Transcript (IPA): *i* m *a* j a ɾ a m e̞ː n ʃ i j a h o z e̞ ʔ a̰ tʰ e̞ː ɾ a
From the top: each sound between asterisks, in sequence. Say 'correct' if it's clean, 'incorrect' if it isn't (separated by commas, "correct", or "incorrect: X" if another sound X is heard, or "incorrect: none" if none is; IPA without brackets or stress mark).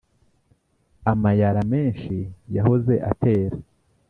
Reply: incorrect: a, correct